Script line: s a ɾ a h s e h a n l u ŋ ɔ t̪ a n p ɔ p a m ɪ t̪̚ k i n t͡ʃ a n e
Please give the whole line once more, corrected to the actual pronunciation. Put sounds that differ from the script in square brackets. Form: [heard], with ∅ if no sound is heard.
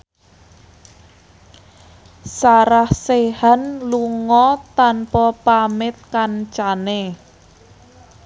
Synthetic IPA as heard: s a ɾ a h s e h a n l u ŋ ɔ t̪ a n p ɔ p a m ɪ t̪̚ k [a] n t͡ʃ a n e

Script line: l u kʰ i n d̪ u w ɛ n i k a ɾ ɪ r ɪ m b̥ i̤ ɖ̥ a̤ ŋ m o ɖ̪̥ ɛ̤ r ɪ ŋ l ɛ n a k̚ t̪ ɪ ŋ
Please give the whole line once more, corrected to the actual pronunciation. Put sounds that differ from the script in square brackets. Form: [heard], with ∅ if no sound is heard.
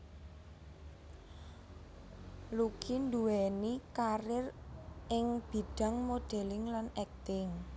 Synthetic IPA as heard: l u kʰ i n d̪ u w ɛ n i k a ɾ ɪ r ɪ [ŋ] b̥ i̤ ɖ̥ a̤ ŋ m o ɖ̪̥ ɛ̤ [l] ɪ ŋ l [a] n [ɛ] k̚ t̪ ɪ ŋ

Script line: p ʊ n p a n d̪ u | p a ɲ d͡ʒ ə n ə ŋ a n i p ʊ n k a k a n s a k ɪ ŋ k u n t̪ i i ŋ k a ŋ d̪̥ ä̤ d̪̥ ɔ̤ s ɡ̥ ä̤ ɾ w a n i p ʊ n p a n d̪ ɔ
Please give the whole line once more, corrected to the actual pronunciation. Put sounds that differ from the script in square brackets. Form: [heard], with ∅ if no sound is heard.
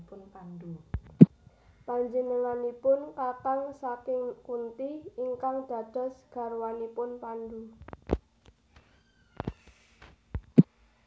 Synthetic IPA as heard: p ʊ n p a n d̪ u | p a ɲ d͡ʒ ə n ə ŋ a n i p ʊ n k a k a [ŋ] s a k ɪ ŋ k u n t̪ i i ŋ k a ŋ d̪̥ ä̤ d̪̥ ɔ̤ s ɡ̥ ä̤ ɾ w a n i p ʊ n p a n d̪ [u]

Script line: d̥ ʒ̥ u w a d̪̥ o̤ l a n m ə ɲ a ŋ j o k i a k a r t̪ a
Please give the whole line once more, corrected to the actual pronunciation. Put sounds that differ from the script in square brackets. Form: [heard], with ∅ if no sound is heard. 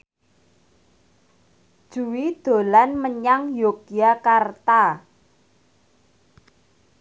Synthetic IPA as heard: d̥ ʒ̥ u w [i] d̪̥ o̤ l a n m ə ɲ a ŋ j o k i a k a r t̪ a

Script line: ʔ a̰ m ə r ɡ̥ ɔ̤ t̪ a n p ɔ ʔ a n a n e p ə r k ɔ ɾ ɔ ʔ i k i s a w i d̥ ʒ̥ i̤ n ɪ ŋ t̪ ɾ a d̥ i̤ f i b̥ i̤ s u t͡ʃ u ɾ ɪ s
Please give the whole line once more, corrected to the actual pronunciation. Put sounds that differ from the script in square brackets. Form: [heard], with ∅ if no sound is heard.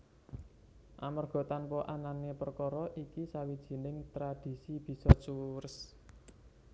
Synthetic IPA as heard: ʔ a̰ m ə r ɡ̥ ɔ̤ t̪ a n p ɔ ʔ a n a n e p ə r k ɔ ɾ ɔ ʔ i k i s a w i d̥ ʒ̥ i̤ n ɪ ŋ t̪ ɾ a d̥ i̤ [s] i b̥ i̤ s [ɔ] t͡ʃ u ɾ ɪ s

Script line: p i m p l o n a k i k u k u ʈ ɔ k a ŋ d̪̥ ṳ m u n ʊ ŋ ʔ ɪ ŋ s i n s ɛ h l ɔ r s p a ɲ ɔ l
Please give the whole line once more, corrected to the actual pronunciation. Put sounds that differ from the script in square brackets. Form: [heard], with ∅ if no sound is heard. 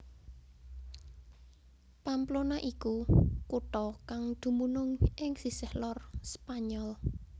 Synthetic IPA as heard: p [a] m p l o n a [ʔ] i k u k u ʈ ɔ k a ŋ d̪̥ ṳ m u n ʊ ŋ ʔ ɪ ŋ s i [∅] s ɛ h l ɔ r s p a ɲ ɔ l

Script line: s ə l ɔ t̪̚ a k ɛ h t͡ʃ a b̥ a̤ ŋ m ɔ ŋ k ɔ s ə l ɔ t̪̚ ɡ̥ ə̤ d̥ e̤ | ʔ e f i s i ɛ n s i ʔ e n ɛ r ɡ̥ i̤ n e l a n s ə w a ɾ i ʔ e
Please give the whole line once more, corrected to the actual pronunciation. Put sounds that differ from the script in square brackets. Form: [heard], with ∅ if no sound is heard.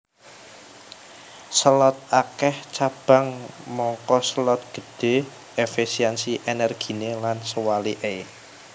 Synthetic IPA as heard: s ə l ɔ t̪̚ a k ɛ h t͡ʃ a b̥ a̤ ŋ m ɔ ŋ k ɔ s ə l ɔ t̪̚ ɡ̥ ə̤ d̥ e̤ | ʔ e f i s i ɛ n s i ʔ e n ɛ r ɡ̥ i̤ n e l a n s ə w a [l] i ʔ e

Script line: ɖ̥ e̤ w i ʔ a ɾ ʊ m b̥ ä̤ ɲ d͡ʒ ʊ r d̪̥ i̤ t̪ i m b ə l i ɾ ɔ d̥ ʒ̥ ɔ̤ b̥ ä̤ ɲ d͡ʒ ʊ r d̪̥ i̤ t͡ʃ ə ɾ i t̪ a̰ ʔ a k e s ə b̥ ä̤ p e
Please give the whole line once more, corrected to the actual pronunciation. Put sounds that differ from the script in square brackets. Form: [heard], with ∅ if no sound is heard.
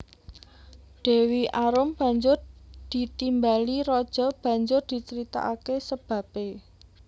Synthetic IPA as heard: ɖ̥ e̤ w i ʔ a ɾ ʊ m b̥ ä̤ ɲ d͡ʒ ʊ r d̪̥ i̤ t̪ i m b [a] l i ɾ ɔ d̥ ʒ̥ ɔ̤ b̥ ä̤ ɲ d͡ʒ ʊ r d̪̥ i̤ t͡ʃ ə ɾ i t̪ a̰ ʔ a k e s ə b̥ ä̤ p e

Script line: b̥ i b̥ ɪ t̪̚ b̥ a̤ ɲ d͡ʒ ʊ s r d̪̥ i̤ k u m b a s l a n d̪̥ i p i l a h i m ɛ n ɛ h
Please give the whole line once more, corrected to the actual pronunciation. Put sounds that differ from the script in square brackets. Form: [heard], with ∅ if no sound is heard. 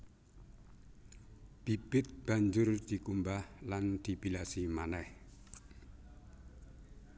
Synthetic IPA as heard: b̥ i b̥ ɪ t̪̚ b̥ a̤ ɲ d͡ʒ ʊ [∅] r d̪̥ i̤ k u m b a [h] l a n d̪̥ i p i l a [s] i m [a] n ɛ h

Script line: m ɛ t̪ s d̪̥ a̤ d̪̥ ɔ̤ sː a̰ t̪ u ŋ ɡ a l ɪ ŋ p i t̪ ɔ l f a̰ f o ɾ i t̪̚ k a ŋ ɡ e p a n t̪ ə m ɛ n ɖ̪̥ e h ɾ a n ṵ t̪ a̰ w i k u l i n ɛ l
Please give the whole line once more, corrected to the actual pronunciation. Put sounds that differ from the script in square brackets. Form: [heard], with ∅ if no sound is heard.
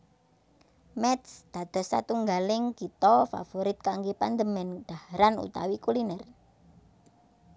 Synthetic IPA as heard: m ɛ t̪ s d̪̥ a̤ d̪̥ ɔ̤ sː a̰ t̪ u ŋ ɡ a l ɪ ŋ [k] i t̪ ɔ [∅] f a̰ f o ɾ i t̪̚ k a ŋ ɡ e p a n [d̪] ə m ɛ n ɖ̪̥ [a] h ɾ a n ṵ t̪ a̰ w i k u l i n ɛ [r]

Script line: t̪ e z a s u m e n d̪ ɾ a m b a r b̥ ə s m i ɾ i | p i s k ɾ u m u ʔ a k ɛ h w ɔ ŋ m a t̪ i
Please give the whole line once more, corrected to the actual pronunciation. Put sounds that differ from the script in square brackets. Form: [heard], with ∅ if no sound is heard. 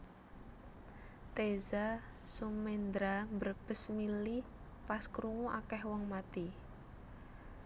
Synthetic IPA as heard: t̪ e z a s u m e n d̪ ɾ a m b [ə] r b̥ ə s m i [l] i | p [a] s k ɾ u [ŋ] u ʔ a k ɛ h w ɔ ŋ m a t̪ i

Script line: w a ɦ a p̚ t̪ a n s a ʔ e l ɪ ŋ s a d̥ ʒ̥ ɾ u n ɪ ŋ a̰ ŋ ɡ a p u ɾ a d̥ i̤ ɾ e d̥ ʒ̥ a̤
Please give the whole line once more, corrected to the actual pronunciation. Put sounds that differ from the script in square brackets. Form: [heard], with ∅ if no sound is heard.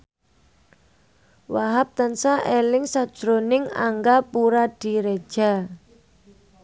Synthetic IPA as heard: w a ɦ a p̚ t̪ a n s a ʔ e l ɪ ŋ s a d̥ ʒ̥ ɾ [o] n ɪ ŋ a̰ ŋ ɡ a p u ɾ a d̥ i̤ ɾ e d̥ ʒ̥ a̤

